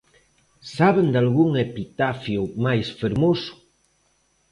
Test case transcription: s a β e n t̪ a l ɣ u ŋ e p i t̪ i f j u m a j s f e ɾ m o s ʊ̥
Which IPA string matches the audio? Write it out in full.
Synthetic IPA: s a β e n d̪ a l ɣ u ŋ e p i t̪ a f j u m a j s f e ɾ m o s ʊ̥